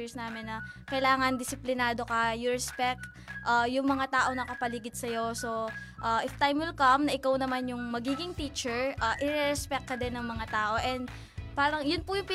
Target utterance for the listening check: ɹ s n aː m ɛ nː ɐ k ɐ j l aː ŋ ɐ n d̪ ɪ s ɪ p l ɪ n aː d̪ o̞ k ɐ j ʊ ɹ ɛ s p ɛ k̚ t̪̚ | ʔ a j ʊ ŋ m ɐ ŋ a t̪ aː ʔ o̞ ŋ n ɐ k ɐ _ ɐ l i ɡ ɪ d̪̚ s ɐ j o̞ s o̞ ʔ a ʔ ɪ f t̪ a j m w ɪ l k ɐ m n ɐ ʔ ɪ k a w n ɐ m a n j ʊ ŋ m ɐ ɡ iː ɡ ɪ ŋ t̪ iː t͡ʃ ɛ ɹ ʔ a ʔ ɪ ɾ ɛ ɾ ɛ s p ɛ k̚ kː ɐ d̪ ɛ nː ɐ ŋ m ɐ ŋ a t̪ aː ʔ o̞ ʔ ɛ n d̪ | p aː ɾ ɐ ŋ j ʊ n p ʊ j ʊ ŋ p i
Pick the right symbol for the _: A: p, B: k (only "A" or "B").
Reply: A